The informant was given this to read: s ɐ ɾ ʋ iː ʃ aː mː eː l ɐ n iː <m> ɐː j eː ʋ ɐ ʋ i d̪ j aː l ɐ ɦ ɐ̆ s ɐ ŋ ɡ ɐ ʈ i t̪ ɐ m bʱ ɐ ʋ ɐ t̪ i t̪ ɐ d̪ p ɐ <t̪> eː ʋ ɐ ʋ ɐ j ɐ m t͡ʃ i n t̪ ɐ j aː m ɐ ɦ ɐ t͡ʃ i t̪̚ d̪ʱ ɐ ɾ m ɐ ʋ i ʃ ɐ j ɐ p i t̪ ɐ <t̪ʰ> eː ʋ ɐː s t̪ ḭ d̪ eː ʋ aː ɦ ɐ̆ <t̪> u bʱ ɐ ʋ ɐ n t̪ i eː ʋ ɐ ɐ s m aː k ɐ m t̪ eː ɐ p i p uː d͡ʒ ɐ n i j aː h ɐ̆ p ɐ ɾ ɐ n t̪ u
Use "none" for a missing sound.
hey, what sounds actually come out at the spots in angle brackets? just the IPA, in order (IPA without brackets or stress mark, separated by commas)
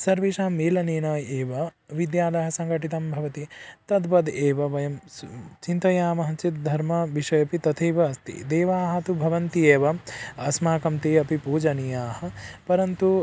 n, d̪, t̪ʰ, t̪